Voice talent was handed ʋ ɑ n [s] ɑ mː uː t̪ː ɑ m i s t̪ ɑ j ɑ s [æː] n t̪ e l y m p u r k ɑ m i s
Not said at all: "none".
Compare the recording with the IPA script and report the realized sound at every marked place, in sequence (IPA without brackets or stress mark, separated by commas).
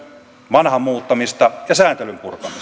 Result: h, æː